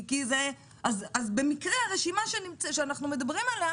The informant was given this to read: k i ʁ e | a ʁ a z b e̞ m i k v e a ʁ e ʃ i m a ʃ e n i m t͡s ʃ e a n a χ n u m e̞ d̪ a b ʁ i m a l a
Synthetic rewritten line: k i z e | a z a z b e̞ m i k ʁ e a ʁ e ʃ i m a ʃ e n i m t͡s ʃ e a n a χ n u m e̞ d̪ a b ʁ i m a l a